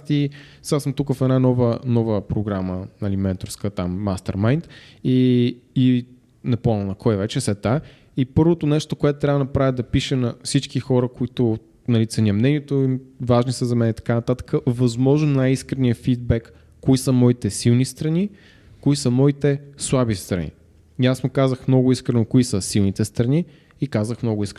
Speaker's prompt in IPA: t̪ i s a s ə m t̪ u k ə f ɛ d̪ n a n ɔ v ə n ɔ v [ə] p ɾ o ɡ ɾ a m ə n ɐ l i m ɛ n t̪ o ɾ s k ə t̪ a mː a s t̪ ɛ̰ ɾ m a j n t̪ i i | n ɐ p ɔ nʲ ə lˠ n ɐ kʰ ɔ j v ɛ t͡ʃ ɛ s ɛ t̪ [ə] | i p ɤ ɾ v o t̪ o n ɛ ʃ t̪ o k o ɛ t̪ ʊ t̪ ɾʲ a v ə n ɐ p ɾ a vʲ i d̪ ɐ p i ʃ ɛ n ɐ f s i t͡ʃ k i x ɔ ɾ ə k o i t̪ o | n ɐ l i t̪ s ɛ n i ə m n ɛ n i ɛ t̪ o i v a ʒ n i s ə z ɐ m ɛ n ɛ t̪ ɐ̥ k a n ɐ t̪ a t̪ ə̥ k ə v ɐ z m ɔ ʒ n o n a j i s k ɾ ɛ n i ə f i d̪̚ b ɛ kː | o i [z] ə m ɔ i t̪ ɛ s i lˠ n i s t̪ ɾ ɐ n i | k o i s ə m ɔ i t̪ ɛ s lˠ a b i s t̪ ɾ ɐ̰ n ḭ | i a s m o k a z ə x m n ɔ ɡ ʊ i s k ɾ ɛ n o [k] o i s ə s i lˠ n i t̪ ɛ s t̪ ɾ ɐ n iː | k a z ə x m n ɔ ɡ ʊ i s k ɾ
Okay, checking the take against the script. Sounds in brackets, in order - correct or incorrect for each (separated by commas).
correct, incorrect, incorrect, correct